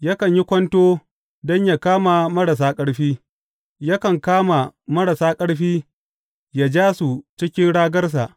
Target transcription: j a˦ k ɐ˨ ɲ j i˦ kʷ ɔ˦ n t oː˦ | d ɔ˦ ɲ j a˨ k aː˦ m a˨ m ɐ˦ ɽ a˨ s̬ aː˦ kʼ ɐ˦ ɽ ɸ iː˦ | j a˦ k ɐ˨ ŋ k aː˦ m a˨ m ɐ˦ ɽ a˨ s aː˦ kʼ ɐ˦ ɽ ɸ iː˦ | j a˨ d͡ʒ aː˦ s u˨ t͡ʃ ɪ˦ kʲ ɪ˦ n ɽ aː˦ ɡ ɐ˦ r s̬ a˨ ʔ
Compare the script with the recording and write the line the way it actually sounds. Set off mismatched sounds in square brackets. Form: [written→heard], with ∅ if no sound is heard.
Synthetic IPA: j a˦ k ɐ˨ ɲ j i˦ kʷ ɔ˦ n t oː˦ | d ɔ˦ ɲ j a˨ k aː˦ m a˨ m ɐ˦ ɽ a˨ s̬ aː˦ kʼ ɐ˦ ɽ ɸ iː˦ | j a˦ k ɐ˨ ŋ k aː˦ m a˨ m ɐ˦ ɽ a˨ s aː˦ kʼ ɐ˦ ɽ ɸ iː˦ | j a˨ d͡ʒ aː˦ s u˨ t͡ʃ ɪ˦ kʲ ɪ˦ n ɽ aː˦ ɡ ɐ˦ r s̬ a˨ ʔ